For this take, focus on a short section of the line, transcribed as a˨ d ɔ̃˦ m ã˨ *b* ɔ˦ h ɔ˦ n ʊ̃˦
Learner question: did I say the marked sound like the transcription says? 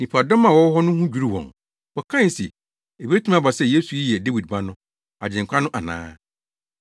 no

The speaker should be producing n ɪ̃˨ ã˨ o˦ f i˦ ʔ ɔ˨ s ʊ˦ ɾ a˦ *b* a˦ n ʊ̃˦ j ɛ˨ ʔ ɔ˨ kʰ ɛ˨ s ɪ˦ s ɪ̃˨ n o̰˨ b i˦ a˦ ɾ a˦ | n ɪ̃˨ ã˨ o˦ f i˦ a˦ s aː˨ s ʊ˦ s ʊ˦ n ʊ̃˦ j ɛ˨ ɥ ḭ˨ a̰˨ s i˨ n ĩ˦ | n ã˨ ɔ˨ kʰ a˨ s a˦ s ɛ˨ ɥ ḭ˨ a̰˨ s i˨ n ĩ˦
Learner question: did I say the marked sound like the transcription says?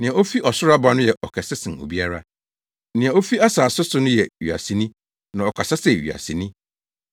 yes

